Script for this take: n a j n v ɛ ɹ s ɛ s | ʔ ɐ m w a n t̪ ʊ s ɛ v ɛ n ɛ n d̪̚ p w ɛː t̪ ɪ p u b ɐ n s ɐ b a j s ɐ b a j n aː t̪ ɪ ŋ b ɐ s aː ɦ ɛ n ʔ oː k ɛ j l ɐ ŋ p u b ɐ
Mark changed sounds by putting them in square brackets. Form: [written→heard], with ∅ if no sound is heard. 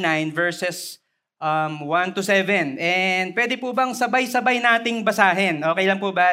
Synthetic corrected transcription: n a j n v ɛ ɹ s ɛ s | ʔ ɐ m w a n t̪ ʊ s ɛ v ɛ n ɛ n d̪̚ p w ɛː [t̪→d̪] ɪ p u b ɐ [n→ŋ] s ɐ b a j s ɐ b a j n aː t̪ ɪ ŋ b ɐ s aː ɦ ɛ n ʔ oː k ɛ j l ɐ ŋ p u b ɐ